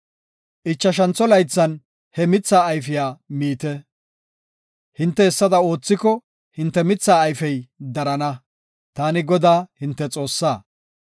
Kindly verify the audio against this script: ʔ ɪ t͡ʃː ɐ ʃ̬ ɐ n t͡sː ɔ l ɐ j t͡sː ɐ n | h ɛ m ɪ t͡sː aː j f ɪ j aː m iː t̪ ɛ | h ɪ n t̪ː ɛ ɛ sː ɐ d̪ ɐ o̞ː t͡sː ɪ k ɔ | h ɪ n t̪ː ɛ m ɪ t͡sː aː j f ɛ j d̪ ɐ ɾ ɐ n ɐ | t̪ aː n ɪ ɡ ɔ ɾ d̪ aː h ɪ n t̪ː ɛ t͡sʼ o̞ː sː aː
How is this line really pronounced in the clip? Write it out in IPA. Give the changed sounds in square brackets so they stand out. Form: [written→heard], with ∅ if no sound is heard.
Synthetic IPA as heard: ʔ ɪ t͡ʃː ɐ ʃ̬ ɐ n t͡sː ɔ l ɐ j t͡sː ɐ n | h ɛ m ɪ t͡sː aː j f ɪ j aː m iː t̪ ɛ | h ɪ n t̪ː ɛ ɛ sː ɐ d̪ ɐ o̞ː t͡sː ɪ k ɔ | h ɪ n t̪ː ɛ m ɪ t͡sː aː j f ɛ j d̪ ɐ ɾ ɐ n ɐ | t̪ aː n ɪ ɡ ɔ [ɾ→∅] d̪ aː h ɪ n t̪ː ɛ t͡sʼ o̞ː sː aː